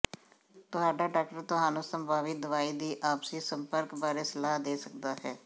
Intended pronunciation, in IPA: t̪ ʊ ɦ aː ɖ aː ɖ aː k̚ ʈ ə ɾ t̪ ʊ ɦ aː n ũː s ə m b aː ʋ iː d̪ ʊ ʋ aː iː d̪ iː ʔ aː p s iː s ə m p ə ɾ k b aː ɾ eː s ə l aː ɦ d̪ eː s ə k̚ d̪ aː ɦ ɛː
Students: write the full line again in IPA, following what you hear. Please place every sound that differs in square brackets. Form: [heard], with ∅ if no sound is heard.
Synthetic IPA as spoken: t̪ ʊ ɦ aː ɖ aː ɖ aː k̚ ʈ ə ɾ t̪ ʊ ɦ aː n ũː s ə m b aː ʋ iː d̪ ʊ ʋ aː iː d̪ iː ʔ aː p s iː s ə m p ə ɾ k b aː ɾ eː s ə l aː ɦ d̪ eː s ə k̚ d̪ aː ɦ ɛː